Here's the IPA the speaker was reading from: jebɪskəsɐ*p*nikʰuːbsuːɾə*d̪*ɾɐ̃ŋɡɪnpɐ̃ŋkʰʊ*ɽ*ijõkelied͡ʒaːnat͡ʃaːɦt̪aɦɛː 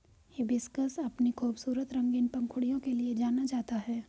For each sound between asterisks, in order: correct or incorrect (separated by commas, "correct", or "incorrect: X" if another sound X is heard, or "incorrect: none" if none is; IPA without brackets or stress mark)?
correct, incorrect: t̪, correct